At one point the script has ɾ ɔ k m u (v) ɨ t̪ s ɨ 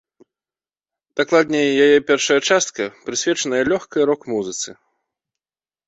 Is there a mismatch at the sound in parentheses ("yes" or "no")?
yes